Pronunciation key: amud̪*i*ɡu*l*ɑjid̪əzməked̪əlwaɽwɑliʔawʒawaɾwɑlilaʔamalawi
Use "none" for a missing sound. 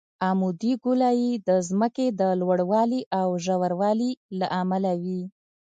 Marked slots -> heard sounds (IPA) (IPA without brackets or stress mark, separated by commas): i, l